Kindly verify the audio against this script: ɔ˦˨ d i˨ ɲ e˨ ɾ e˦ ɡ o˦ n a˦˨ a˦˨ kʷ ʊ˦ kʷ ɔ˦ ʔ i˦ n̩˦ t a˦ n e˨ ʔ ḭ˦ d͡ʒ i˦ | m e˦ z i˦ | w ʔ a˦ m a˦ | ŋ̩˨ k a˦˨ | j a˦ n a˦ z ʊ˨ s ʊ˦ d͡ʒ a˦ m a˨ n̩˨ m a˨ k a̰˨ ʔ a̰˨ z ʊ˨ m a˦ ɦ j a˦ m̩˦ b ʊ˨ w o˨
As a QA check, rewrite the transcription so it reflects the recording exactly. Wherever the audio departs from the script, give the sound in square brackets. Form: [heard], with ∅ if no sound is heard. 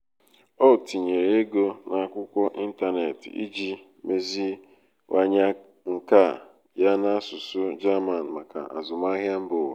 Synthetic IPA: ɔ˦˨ [t] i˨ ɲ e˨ ɾ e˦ ɡ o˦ n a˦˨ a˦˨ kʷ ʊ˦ kʷ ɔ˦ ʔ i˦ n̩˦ t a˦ n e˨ [t] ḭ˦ d͡ʒ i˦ | m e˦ z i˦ | w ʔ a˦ [ɲ] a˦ | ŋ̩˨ k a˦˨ | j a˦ n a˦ [s] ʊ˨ s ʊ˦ d͡ʒ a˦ m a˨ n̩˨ m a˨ k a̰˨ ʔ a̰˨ z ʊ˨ m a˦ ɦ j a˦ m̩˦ b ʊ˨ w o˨